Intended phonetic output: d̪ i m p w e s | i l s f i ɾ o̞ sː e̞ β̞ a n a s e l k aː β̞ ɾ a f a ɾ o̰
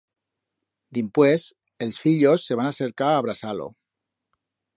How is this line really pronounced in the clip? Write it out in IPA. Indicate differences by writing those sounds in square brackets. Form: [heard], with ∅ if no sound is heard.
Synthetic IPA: d̪ i m p w e s | [e] l s f i [ʎ] o̞ sː e̞ β̞ a n a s e [ɾ] k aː β̞ ɾ a [s] a [l] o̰